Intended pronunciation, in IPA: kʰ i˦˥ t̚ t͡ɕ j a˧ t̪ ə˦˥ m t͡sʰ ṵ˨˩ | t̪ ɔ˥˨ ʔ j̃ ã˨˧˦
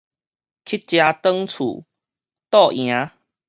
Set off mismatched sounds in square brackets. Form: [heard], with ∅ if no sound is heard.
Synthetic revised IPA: kʰ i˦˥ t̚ t͡ɕ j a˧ t̪ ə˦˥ [ŋ] t͡sʰ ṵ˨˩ | t̪ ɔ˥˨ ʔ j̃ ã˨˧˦